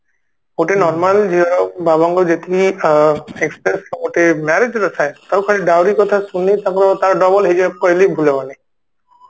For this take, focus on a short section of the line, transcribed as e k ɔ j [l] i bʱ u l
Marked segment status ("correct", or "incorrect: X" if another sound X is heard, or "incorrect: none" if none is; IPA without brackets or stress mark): correct